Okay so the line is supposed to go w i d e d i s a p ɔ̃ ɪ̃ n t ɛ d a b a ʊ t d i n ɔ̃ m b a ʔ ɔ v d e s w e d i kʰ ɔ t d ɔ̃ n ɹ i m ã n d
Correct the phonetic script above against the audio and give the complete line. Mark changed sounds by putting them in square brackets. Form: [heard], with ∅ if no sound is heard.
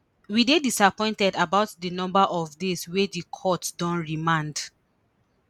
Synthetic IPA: w i d e d i s a p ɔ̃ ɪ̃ n t ɛ d a b a ʊ t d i n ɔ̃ m b a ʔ ɔ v d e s w e d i kʰ ɔ t d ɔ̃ n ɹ i m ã n d